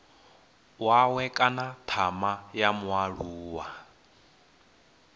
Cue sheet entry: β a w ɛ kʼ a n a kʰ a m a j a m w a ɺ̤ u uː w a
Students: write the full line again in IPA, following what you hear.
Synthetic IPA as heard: w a w ɛ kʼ a n a tʰ a m a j a m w a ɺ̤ u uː w a